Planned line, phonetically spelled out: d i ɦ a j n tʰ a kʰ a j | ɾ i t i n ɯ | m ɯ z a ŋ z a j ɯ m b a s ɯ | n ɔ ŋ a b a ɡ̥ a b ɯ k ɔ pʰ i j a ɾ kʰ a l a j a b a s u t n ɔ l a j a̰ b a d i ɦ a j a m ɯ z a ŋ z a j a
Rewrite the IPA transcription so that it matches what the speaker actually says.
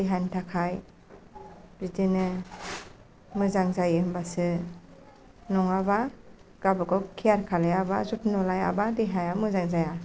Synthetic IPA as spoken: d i ɦ a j n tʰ a kʰ a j | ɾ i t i n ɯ | m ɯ z a ŋ z a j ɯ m b a s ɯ | n ɔ ŋ a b a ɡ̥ a b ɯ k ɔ kʰ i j a ɾ kʰ a l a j a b a z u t n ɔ l a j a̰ b a d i ɦ a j a m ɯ z a ŋ z a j a